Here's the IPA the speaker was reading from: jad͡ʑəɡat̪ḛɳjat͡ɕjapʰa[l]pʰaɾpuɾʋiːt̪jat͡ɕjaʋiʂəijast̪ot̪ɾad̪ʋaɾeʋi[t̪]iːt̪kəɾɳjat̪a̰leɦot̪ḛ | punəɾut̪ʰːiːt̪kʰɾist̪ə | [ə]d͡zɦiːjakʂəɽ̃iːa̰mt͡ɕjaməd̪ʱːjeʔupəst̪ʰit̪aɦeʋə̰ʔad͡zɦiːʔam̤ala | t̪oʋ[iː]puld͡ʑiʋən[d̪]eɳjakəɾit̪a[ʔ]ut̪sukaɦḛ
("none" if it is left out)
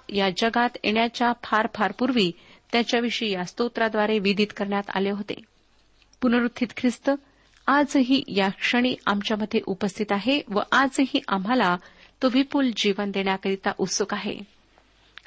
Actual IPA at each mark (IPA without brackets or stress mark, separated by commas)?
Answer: ɾ, d̪, a, i, d̪, ʔ